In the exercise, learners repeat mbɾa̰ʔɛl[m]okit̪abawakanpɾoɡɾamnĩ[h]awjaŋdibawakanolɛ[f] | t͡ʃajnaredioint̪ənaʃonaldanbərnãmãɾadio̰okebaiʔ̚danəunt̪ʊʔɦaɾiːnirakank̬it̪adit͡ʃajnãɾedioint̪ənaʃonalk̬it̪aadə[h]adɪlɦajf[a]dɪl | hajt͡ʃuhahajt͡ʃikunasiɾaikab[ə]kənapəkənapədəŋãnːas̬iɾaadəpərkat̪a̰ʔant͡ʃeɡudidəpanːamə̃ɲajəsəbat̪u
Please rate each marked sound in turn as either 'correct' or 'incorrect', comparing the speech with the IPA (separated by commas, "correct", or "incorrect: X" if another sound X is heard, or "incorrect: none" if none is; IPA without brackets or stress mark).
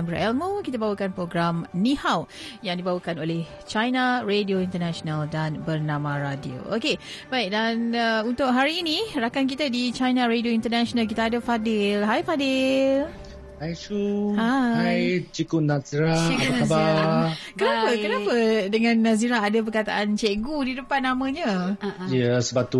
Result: correct, correct, incorrect: h, incorrect: f, correct, incorrect: a